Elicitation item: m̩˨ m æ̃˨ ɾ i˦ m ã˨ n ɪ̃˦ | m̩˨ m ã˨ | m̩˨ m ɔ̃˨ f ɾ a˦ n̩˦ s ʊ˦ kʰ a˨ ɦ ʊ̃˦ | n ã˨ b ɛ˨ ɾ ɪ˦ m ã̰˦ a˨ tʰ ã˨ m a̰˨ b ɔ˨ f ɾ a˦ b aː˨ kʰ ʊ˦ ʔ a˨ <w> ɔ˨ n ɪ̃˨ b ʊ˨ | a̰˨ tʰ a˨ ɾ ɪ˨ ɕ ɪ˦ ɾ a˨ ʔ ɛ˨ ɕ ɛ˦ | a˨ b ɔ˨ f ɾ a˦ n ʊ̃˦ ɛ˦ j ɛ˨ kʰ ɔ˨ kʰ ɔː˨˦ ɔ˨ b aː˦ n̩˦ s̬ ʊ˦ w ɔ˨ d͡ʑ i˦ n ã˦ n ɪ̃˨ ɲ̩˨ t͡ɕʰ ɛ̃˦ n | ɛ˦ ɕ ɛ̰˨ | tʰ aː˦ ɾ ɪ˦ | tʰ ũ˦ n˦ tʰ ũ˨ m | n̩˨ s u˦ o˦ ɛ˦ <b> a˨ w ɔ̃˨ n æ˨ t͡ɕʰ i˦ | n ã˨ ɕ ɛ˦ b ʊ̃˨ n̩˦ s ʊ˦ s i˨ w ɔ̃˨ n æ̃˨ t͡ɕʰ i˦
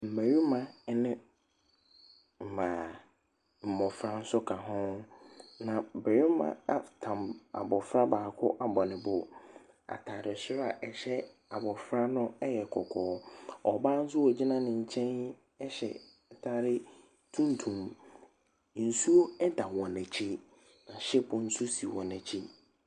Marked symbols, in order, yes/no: no, no

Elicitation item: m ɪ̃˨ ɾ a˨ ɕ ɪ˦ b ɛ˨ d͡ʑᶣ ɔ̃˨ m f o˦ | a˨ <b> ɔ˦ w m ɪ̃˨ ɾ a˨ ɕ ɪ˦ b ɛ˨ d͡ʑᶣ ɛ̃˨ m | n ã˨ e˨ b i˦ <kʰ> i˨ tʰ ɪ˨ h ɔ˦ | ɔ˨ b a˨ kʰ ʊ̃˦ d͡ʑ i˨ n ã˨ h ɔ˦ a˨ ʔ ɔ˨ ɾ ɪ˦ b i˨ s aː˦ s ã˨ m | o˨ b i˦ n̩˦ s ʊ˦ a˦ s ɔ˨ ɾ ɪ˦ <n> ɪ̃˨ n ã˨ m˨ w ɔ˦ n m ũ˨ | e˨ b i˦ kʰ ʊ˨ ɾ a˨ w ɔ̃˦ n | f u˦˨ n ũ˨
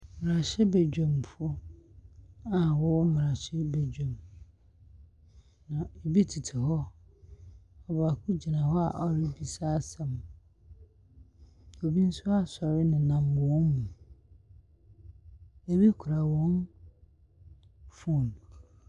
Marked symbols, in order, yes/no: no, no, yes

